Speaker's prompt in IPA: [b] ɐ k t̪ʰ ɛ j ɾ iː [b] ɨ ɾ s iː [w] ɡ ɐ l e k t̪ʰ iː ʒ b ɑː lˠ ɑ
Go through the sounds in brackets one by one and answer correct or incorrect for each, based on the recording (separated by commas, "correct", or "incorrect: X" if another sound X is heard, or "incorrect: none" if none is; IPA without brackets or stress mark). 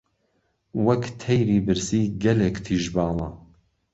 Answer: incorrect: w, correct, incorrect: none